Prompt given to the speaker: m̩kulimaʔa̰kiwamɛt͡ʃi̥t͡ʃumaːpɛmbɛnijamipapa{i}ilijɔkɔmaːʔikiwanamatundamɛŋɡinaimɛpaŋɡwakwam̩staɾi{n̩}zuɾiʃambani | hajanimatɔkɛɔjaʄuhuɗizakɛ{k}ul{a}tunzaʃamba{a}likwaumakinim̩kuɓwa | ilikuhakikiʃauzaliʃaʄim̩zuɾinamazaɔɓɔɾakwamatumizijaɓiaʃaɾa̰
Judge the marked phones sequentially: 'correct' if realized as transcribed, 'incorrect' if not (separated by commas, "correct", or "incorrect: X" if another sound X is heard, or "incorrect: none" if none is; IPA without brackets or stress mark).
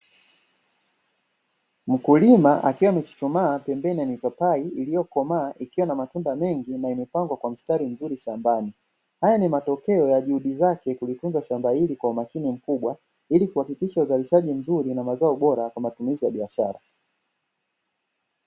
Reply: correct, incorrect: m̩, correct, incorrect: i, incorrect: i